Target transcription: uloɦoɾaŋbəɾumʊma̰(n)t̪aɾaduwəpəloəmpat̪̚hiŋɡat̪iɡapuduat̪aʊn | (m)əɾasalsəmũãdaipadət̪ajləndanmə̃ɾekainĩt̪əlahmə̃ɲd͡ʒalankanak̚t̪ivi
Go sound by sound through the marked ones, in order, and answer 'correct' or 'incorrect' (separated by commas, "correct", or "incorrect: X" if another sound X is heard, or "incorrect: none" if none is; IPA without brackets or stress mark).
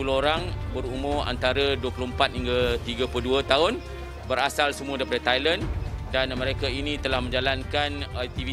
correct, incorrect: b